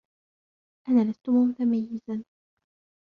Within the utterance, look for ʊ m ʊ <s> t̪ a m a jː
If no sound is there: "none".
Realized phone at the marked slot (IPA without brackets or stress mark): none